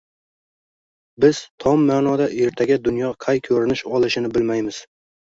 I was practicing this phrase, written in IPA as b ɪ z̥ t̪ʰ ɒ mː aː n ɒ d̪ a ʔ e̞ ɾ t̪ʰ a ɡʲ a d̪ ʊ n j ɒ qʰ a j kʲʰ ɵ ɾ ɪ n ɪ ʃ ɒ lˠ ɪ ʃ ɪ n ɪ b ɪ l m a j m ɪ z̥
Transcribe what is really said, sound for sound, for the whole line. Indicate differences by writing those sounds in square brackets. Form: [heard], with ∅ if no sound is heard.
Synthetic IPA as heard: b ɪ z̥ t̪ʰ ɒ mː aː n ɒ d̪ a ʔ e̞ ɾ t̪ʰ a ɡʲ a d̪ ʊ n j ɒ qʰ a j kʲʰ ɵ ɾ ɪ n ɪ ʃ ɒ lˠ ɪ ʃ ɪ n ɪ b ɪ l m a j m ɪ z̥